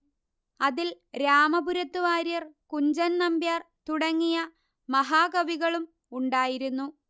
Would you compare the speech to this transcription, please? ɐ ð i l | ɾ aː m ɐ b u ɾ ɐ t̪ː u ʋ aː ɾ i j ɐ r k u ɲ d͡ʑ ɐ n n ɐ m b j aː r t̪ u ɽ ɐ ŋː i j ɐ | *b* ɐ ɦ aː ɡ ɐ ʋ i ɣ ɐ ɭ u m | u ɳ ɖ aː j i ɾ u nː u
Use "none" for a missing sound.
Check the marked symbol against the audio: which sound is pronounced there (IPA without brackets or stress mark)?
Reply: m